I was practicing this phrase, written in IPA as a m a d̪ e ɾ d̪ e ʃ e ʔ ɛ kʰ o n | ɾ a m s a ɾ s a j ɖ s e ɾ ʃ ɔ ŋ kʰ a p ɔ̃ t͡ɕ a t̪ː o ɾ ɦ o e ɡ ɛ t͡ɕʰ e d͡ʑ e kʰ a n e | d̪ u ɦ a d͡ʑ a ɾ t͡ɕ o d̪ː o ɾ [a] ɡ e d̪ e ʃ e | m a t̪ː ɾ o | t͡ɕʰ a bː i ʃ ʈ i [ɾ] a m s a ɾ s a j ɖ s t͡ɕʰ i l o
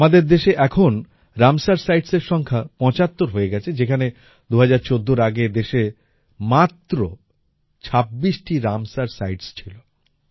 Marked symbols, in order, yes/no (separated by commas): yes, yes